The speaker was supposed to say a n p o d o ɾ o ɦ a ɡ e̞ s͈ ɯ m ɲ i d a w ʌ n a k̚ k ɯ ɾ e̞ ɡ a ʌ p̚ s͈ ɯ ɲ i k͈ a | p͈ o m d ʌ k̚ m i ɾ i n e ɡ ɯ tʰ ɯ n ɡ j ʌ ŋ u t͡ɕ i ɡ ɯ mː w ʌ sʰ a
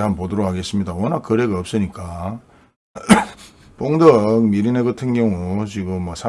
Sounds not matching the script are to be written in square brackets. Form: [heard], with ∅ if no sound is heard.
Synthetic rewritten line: a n p o d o ɾ o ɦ a ɡ e̞ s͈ ɯ m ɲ i d a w ʌ n a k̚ k ɯ ɾ e̞ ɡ a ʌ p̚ s͈ ɯ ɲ i k͈ a | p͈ o [ŋ] d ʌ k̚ m i ɾ i n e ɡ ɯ tʰ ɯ n ɡ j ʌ ŋ u t͡ɕ i ɡ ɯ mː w ʌ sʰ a